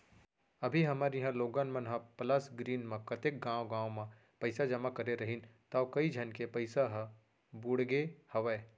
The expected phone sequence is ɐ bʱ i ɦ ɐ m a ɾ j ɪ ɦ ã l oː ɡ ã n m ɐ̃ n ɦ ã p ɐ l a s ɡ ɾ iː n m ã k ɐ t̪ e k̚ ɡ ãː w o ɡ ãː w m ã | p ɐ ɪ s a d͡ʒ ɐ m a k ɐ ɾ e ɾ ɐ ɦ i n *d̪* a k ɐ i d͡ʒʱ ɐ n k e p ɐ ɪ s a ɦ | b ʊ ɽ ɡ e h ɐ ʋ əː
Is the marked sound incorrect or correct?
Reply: incorrect: t̪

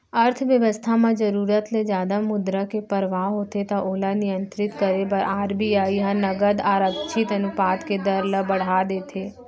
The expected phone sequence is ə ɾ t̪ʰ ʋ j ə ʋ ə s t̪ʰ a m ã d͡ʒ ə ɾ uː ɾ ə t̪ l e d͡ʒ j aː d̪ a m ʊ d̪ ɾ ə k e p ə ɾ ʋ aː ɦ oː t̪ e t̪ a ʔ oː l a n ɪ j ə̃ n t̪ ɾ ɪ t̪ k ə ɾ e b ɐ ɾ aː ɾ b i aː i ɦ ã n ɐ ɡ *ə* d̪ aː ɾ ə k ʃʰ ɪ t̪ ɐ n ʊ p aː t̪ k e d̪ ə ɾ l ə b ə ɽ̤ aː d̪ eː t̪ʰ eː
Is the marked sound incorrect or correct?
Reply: correct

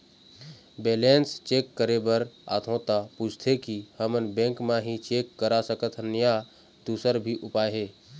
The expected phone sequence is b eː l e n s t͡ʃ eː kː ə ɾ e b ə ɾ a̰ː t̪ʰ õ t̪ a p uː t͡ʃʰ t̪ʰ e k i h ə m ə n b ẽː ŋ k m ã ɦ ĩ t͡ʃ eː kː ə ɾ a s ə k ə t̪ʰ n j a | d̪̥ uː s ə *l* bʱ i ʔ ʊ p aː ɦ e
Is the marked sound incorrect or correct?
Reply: incorrect: ɾ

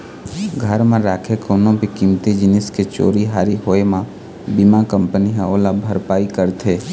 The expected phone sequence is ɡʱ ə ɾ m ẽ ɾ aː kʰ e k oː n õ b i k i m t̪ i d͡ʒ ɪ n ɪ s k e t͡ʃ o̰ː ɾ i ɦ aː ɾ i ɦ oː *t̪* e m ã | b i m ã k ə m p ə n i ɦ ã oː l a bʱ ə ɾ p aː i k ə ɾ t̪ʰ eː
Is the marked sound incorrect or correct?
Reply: incorrect: none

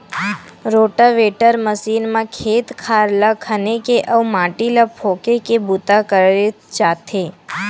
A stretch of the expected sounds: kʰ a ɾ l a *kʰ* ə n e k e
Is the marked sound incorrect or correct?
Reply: correct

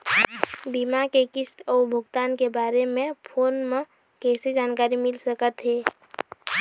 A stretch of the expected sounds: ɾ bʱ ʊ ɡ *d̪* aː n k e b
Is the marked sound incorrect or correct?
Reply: incorrect: t̪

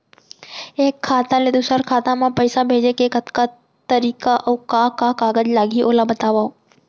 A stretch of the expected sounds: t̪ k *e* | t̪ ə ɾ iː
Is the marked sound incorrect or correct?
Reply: incorrect: a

